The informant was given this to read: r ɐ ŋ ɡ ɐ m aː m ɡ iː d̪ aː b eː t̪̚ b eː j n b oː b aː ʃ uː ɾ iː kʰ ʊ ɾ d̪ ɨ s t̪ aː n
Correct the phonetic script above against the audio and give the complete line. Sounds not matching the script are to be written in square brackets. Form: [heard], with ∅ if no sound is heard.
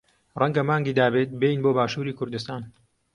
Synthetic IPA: r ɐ ŋ ɡ ɐ m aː [ŋ] ɡ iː d̪ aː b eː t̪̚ b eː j n b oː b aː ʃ uː ɾ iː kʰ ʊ ɾ d̪ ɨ s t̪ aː n